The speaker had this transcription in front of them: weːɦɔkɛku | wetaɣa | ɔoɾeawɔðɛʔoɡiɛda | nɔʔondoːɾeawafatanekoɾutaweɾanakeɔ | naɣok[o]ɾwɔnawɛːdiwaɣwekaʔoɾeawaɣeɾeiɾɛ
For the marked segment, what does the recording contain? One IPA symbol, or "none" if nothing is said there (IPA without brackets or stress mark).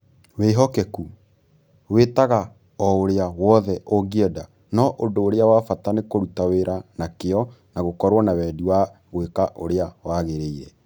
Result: ɔ